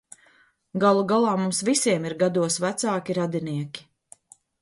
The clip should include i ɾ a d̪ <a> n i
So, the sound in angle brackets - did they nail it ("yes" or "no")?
no